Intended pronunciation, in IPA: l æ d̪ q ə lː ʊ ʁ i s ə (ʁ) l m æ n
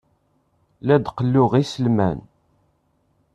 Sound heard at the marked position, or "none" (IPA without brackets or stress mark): none